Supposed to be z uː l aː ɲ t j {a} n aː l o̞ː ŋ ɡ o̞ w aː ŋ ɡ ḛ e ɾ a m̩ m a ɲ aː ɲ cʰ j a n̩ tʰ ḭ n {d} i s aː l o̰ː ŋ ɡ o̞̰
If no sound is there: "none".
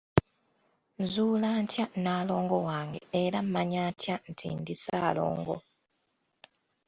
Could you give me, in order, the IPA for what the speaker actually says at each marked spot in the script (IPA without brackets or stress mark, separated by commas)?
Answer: a, d